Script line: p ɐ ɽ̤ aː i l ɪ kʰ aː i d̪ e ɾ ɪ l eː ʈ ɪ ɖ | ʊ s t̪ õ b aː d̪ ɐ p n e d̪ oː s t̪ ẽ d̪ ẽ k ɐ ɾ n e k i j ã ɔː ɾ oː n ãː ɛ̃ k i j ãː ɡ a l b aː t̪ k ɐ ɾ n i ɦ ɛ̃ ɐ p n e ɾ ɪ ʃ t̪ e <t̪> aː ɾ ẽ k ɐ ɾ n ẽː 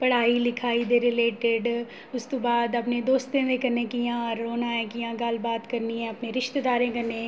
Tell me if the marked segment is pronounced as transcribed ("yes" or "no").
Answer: no